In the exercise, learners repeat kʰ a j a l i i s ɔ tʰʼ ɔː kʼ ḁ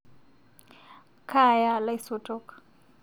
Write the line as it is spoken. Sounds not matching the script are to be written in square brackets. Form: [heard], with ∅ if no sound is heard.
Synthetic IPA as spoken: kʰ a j a l [a] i s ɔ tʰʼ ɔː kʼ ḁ

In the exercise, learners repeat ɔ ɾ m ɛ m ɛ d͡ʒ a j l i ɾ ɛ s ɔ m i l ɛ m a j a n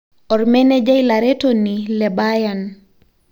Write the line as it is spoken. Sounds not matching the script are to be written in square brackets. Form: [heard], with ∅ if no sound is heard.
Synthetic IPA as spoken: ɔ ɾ m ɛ [n] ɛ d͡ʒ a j l [a] ɾ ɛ [t] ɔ [n] i l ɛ [b] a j a n

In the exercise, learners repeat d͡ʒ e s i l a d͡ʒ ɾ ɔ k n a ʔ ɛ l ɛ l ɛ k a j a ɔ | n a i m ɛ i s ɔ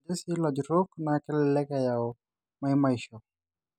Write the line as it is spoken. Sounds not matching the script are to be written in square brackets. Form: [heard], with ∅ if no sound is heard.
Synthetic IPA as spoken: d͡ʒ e s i l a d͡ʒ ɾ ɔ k n a [k] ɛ l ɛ l ɛ k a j a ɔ | [m] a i m [a] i [ʃ] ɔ

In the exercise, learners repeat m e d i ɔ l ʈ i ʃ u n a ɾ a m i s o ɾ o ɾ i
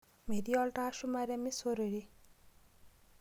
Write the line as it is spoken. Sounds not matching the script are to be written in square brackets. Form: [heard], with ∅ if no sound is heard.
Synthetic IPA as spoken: m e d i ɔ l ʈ [a] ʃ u [m] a ɾ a m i s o ɾ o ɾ i

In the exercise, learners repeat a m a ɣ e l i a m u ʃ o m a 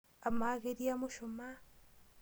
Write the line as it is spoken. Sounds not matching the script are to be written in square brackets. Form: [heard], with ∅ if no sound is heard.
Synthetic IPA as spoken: a m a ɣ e [ɾ] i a m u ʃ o m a

